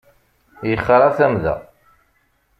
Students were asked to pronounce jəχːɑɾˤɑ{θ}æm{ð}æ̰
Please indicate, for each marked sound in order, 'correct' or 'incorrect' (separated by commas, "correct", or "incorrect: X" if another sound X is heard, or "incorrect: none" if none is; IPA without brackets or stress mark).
correct, correct